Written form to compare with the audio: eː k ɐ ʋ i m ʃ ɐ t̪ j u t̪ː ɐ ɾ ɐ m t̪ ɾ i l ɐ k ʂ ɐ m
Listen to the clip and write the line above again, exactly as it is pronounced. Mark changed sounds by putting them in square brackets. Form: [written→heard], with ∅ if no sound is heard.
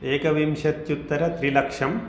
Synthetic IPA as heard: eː k ɐ ʋ i m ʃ ɐ t̪ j u t̪ː ɐ ɾ ɐ [m→∅] t̪ ɾ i l ɐ k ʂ ɐ m